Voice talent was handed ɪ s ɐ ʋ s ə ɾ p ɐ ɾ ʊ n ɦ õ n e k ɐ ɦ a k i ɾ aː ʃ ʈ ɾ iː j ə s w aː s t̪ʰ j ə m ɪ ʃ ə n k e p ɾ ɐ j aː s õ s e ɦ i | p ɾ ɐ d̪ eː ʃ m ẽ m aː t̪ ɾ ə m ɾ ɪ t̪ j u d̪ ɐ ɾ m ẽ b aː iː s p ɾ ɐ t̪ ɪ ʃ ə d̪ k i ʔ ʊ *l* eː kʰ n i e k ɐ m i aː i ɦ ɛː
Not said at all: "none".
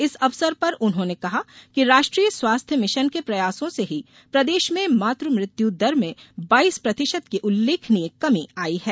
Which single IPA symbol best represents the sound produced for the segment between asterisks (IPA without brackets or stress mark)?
lː